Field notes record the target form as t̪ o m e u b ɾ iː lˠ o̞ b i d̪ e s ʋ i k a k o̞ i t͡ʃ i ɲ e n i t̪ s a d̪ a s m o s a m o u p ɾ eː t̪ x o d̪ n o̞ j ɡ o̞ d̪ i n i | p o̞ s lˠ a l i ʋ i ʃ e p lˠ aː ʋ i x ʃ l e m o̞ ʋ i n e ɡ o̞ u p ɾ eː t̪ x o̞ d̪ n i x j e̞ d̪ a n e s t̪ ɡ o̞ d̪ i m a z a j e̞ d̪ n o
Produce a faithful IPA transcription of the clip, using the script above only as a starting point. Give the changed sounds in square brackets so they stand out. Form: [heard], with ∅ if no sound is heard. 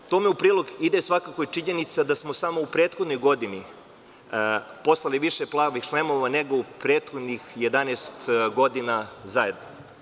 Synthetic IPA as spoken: t̪ o m e u [p] ɾ iː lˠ o̞ [ɡ] i d̪ e s ʋ [a] k a k o̞ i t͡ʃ i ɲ e n i t̪ s a d̪ a s m o s a m o u p ɾ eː t̪ x o d̪ n o̞ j ɡ o̞ d̪ i n i | p o̞ s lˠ a l i ʋ i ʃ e p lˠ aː ʋ i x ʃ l e m o̞ ʋ [a] n e ɡ o̞ u p ɾ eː t̪ x o̞ d̪ n i x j e̞ d̪ a n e s t̪ ɡ o̞ d̪ i [n] a z a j e̞ d̪ n o